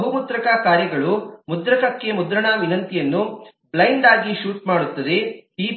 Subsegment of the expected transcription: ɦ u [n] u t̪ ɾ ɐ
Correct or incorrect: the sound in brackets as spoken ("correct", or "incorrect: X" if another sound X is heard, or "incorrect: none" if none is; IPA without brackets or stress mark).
incorrect: m